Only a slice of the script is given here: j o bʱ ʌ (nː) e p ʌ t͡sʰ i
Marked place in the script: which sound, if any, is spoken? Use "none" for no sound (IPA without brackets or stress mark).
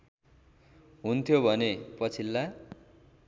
n